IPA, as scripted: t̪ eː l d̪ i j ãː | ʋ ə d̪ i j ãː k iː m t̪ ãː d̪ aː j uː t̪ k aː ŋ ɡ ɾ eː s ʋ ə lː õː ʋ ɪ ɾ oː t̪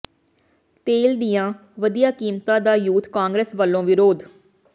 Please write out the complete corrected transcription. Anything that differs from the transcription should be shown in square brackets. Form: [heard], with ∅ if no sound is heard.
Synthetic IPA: t̪ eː l d̪ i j ãː | ʋ ə d̪ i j [aː] k iː m t̪ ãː d̪ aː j uː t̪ k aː ŋ ɡ ɾ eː s ʋ ə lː õː ʋ ɪ ɾ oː [d̪]